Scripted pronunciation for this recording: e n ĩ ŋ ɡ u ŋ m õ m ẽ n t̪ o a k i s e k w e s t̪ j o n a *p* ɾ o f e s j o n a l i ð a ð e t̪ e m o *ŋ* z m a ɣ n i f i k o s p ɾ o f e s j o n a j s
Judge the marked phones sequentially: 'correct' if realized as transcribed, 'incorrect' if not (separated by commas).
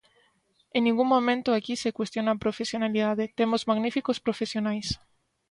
correct, incorrect